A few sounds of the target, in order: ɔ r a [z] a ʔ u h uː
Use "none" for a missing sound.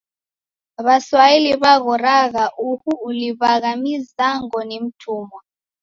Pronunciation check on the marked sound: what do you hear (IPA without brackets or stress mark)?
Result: ɣ